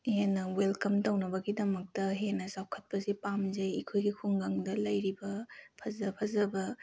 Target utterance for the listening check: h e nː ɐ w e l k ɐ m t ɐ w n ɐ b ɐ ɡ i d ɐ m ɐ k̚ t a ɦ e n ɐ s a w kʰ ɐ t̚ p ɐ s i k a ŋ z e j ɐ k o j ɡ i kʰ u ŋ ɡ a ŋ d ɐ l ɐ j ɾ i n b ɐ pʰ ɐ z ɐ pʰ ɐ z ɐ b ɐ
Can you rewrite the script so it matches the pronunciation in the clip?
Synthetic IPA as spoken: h e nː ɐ w e l k ɐ m t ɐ w n ɐ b ɐ ɡ i d ɐ m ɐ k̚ t ɐ ɦ e n ɐ s a w kʰ ɐ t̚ p ɐ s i p a m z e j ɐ kʰ o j ɡ i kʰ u ŋ ɡ a ŋ d ɐ l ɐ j ɾ i b ɐ pʰ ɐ z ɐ pʰ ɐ z ɐ b ɐ